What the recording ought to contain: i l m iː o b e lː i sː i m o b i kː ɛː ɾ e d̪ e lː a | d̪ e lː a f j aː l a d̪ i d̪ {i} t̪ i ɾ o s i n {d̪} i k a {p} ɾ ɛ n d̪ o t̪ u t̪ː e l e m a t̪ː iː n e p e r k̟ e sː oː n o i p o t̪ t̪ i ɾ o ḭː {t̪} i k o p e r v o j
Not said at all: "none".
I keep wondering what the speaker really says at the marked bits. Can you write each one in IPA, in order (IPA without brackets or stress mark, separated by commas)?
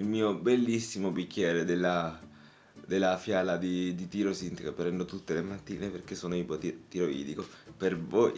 i, t̪, p, d̪